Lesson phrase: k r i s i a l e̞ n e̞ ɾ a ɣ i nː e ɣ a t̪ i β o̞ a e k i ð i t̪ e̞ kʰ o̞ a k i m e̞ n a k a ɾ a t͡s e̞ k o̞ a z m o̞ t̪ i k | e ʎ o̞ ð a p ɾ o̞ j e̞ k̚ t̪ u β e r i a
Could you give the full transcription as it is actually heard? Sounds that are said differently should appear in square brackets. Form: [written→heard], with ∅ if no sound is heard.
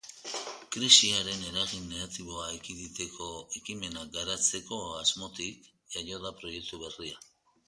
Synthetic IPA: k [r→ɾ] i s i a [l→ɾ] e̞ n e̞ ɾ a ɣ i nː e ɣ a t̪ i β o̞ a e k i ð i t̪ e̞ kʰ o̞ [a→e] k i m e̞ n a [k→ɡ] a ɾ a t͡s e̞ k o̞ a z m o̞ t̪ i k | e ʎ o̞ ð a p ɾ o̞ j e̞ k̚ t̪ u β e r i a